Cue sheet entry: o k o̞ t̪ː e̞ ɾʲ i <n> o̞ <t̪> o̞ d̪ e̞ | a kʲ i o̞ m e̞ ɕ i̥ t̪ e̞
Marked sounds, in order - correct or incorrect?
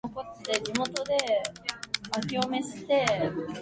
incorrect: m, correct

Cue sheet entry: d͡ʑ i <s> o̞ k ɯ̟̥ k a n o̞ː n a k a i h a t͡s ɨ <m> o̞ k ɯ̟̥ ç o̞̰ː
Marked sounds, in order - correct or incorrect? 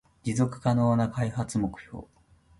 incorrect: z, correct

